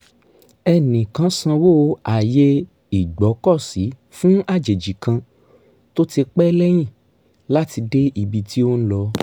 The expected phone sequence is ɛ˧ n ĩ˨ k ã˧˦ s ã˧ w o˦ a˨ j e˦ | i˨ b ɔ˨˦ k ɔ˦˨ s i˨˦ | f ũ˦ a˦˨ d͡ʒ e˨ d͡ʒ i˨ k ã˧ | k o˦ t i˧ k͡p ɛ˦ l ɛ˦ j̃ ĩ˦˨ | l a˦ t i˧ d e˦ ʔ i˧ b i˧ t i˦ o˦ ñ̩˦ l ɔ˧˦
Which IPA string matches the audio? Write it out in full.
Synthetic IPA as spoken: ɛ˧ n ĩ˨ k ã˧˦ s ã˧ w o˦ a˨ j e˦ | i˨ ɡ͡b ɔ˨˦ k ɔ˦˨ s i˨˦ | f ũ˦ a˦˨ d͡ʒ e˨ d͡ʒ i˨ k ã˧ | t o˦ t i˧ k͡p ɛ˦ l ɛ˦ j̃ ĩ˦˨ | l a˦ t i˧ d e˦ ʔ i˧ b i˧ t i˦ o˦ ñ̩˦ l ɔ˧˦